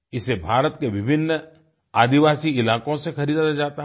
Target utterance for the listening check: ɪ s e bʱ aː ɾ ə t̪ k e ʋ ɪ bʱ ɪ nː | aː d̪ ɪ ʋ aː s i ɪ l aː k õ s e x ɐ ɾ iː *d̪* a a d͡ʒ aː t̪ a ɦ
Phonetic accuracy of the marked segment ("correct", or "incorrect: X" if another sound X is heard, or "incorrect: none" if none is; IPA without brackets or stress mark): correct